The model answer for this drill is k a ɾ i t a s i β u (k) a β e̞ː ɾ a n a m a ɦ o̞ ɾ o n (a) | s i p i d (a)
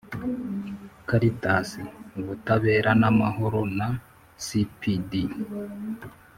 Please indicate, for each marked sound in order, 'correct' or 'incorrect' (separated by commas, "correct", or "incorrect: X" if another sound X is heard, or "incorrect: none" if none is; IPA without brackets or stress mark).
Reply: incorrect: t, correct, incorrect: i